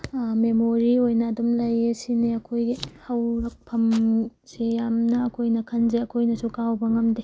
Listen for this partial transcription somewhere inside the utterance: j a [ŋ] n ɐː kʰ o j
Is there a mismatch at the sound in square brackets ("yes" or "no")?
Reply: yes